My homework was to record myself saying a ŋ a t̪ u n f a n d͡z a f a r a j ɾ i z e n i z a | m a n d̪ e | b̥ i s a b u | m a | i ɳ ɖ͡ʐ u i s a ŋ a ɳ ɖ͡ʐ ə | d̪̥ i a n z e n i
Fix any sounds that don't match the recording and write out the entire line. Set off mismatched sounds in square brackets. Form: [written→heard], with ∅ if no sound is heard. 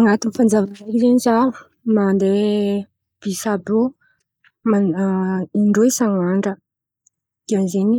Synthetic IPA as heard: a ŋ a t̪ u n f a n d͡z a [f→v] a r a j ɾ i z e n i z a | m a n d̪ e | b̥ i s a b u | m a | i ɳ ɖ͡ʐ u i s a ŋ a ɳ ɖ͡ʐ ə | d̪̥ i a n z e n i